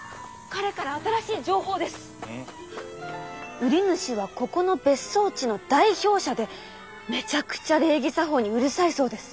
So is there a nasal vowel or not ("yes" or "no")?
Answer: no